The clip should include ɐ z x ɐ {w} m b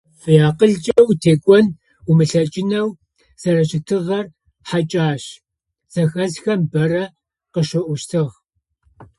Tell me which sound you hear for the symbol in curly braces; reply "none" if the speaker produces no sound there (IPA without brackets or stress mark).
none